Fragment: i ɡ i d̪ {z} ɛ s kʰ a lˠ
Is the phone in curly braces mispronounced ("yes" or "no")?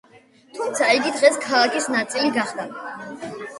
yes